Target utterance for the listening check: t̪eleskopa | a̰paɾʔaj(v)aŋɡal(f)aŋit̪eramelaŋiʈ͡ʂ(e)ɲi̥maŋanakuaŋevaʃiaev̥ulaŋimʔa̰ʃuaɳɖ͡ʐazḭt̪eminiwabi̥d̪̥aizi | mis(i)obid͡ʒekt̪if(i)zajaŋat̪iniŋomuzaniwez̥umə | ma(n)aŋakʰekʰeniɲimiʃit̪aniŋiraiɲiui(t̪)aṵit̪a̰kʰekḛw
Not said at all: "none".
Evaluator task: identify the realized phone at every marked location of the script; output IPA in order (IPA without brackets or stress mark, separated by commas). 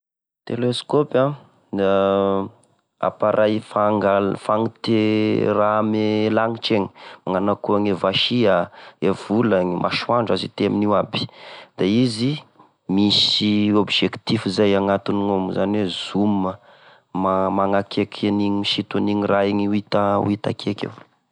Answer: f, f, e, i, i, m, t̪